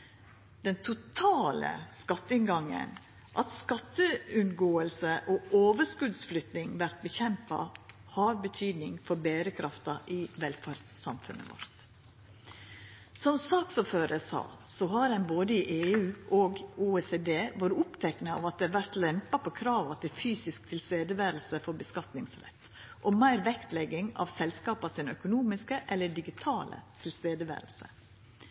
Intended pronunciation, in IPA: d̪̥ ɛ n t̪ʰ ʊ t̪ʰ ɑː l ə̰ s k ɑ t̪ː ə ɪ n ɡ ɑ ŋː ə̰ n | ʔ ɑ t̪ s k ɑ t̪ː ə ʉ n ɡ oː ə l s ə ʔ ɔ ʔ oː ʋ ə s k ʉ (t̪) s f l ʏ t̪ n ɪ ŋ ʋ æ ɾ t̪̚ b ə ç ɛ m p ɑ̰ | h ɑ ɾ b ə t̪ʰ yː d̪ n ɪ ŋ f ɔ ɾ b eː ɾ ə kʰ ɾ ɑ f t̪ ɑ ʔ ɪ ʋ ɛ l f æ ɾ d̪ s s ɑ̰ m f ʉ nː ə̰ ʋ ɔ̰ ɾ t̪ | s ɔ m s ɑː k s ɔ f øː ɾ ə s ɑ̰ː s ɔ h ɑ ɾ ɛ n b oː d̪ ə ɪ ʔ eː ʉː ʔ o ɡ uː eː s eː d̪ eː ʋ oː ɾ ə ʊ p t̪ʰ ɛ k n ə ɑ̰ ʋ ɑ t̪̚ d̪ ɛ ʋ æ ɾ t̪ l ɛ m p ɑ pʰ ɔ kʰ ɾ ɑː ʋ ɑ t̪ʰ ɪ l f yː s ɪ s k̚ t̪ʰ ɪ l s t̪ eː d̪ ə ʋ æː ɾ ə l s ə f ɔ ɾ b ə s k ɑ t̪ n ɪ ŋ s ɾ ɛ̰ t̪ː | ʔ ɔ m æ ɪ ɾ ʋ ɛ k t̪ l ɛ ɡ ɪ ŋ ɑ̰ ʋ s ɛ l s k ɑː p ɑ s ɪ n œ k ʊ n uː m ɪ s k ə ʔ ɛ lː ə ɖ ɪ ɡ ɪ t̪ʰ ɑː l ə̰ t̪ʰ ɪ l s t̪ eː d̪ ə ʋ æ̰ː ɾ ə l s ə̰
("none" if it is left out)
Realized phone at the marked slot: d̪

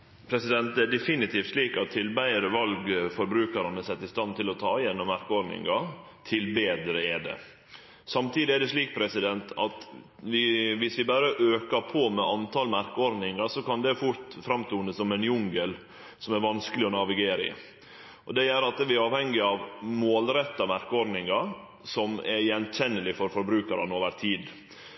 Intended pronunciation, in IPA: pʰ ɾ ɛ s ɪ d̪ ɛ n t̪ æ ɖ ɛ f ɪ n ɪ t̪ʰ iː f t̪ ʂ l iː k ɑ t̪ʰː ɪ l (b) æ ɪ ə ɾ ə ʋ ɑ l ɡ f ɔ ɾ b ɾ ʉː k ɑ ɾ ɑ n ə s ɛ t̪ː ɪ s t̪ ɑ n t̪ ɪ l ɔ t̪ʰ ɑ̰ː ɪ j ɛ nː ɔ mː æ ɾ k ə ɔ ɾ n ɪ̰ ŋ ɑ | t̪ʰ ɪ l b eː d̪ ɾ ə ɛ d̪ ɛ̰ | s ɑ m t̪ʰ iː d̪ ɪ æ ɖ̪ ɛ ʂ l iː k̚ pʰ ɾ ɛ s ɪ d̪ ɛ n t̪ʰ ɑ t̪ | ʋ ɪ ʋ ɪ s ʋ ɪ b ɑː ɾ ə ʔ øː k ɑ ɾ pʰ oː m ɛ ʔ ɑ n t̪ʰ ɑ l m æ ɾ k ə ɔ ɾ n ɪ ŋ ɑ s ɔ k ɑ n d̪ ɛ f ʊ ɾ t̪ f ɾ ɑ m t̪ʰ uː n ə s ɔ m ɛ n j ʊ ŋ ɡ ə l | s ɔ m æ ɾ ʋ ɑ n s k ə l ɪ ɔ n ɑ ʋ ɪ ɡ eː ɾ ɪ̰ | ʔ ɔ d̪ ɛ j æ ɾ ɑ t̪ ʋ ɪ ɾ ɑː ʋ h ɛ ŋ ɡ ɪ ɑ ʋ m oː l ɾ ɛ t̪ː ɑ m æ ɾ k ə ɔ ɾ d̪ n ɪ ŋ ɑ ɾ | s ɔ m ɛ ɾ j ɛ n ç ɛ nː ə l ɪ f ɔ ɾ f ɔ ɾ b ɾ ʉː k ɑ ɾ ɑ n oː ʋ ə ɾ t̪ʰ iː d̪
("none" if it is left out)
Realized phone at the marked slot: b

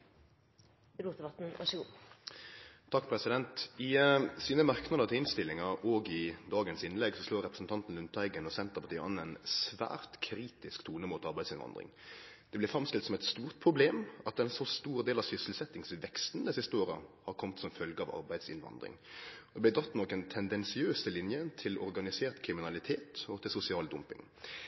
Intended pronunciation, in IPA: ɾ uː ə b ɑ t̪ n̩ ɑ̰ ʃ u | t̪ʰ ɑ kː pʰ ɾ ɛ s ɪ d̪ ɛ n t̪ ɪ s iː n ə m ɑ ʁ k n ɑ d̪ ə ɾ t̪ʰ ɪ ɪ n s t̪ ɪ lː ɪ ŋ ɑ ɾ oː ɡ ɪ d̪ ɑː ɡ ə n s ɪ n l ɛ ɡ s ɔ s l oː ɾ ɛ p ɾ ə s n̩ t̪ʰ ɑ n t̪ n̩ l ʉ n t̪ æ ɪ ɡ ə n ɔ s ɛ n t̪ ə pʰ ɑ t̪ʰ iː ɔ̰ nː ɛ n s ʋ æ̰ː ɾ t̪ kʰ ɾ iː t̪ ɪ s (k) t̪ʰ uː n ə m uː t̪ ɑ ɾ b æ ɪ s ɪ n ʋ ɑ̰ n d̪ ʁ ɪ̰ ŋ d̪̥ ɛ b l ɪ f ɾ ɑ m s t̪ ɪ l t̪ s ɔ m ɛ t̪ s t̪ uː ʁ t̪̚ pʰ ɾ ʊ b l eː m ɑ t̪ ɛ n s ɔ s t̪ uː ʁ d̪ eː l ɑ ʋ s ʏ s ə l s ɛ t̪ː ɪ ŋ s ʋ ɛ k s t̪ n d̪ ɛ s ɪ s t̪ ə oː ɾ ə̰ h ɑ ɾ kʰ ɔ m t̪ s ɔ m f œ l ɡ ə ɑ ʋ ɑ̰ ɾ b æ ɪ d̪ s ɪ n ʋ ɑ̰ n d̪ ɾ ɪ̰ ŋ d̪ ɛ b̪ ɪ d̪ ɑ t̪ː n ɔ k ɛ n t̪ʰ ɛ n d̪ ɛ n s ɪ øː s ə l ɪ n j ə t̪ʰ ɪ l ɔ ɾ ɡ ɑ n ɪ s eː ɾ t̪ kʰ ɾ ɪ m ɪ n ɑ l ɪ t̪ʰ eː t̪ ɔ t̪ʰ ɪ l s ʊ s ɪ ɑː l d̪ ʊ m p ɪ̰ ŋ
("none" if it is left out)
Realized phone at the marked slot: k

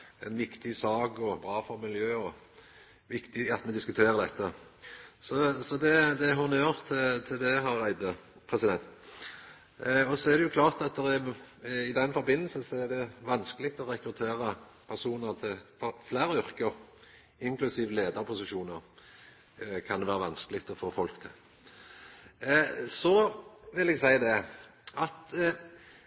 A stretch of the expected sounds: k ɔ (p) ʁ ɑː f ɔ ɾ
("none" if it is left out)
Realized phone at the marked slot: b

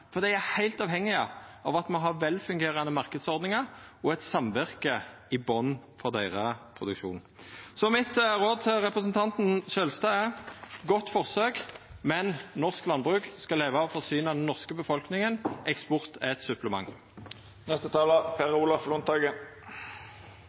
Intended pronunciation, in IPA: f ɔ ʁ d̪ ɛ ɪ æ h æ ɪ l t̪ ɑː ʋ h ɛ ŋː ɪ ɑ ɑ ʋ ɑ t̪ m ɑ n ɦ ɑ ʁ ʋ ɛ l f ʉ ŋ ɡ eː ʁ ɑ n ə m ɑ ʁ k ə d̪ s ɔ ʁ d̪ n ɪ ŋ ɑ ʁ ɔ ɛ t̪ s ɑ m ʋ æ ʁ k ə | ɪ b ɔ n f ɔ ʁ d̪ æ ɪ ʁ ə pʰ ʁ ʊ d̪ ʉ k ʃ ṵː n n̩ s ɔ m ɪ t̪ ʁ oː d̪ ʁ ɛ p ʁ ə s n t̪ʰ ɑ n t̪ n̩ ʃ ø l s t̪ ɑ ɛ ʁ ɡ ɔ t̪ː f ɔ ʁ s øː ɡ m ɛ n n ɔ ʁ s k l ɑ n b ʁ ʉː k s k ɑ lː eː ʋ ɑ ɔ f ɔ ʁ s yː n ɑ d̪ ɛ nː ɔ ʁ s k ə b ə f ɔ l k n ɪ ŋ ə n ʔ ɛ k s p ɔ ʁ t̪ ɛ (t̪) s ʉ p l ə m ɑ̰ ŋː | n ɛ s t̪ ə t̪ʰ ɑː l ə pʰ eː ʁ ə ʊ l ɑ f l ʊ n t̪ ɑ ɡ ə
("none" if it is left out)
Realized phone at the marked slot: t̪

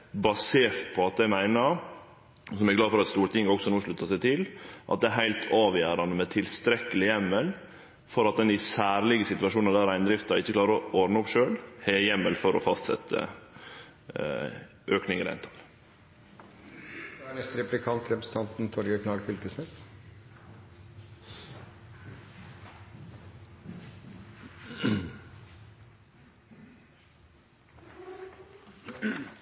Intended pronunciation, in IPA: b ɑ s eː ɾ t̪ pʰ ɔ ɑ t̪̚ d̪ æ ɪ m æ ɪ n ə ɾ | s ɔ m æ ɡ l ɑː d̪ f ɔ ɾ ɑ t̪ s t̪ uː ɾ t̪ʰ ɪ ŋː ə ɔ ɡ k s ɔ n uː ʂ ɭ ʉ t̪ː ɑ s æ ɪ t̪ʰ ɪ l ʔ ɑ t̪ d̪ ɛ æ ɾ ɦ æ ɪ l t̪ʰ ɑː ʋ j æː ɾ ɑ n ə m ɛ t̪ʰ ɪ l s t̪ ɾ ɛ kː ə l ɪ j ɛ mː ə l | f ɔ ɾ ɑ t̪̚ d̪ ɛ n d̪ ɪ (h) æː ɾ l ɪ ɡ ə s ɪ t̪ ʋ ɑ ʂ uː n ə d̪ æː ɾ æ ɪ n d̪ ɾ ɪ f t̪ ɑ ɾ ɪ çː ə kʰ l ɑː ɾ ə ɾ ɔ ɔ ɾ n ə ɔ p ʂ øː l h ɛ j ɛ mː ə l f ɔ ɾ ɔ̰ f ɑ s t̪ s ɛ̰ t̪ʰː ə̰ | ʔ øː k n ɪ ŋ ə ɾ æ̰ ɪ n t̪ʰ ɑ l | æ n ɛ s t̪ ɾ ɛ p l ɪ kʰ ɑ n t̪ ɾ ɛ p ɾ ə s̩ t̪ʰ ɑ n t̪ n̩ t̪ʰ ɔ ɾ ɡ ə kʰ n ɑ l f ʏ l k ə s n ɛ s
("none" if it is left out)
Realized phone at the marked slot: s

